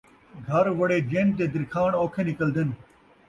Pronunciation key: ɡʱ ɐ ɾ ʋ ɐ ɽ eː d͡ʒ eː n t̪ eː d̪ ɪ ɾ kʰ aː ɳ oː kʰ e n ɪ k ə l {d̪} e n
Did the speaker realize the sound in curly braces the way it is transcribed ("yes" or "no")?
yes